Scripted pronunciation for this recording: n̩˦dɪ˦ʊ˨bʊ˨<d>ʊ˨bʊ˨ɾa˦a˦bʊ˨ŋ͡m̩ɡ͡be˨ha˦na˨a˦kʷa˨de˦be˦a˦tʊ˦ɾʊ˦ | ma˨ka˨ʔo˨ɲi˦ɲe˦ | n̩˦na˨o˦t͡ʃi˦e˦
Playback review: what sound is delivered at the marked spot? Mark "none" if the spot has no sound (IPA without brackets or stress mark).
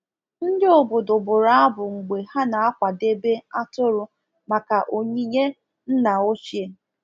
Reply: d